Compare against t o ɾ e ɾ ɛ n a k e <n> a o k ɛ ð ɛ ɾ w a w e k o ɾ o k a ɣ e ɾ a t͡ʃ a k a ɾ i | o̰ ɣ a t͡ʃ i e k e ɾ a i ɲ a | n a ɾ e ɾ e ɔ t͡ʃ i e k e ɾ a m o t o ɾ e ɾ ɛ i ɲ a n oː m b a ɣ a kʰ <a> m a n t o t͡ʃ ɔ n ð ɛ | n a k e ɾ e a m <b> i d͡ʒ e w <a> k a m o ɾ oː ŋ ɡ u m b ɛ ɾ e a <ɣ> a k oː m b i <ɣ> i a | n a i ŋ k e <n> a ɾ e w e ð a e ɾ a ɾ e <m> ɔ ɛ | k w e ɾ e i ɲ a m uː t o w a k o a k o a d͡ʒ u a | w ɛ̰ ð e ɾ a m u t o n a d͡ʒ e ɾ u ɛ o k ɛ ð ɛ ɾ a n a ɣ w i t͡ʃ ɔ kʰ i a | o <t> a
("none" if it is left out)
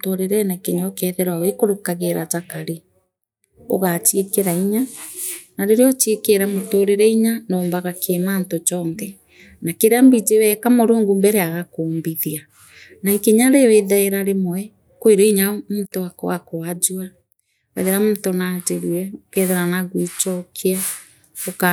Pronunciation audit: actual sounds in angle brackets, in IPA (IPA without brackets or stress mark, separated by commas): ɲ, e, b, ɛ, ɣ, ð, ɲ, m, k